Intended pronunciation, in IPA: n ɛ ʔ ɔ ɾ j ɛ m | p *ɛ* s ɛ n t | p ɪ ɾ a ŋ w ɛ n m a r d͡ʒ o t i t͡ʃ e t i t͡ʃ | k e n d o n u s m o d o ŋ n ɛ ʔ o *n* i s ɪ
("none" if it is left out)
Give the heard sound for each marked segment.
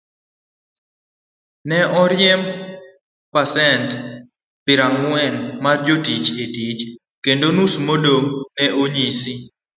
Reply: a, ɲ

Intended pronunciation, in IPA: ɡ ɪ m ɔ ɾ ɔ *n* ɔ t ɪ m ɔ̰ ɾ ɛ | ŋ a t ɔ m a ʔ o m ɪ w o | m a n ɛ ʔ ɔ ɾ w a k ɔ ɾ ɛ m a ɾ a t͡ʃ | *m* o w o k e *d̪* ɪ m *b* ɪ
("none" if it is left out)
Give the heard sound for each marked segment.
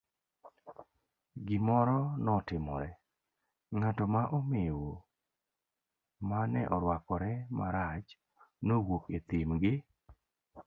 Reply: n, n, t̪, ɡ

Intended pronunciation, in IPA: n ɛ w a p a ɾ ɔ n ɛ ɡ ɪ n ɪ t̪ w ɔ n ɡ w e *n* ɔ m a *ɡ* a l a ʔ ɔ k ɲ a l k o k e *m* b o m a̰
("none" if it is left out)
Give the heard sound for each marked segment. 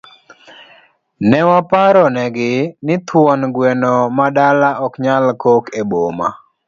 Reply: n, d, none

